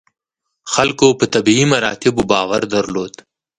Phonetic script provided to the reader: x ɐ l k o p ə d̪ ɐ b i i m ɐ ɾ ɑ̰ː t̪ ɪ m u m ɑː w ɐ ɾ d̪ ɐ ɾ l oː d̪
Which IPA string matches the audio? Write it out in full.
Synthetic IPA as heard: x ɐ l k o p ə t̪ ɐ b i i m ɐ ɾ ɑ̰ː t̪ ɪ b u b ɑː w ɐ ɾ d̪ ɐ ɾ l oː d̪